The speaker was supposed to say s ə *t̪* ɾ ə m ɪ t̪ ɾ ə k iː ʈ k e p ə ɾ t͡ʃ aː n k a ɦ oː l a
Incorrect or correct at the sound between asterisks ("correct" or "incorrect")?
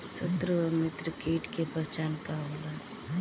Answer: correct